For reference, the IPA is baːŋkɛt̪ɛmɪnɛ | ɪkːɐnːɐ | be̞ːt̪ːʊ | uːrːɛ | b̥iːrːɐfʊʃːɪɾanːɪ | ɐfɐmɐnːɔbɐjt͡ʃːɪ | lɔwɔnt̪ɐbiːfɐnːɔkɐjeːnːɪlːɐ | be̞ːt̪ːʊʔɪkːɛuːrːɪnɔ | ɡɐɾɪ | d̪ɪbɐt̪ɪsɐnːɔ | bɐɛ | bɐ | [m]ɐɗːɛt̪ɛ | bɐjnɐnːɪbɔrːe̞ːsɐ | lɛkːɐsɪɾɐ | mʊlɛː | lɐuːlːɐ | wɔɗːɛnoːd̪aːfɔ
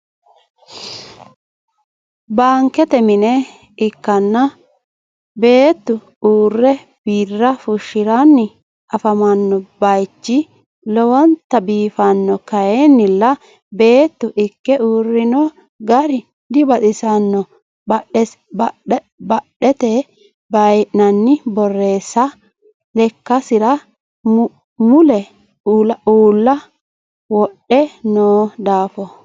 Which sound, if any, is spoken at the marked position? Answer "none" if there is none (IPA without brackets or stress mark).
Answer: b